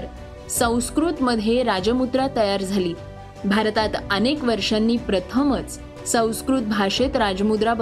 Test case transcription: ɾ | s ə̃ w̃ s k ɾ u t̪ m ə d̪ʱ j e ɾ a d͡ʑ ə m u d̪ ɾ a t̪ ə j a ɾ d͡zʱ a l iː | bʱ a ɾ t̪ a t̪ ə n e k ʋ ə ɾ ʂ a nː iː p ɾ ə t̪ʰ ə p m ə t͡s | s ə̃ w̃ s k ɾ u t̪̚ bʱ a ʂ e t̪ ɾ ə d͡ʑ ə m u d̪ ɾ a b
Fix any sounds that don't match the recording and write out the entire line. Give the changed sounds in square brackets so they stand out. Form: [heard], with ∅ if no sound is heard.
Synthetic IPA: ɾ | s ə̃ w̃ s k ɾ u t̪ m ə d̪ʱ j e ɾ a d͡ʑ ə m u d̪ ɾ a t̪ ə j a ɾ d͡zʱ a l iː | bʱ a ɾ t̪ a t̪ ə n e k ʋ ə ɾ ʂ a nː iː p ɾ ə t̪ʰ ə [∅] m ə t͡s | s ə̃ w̃ s k ɾ u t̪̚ bʱ a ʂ e t̪ ɾ [a] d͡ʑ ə m u d̪ ɾ a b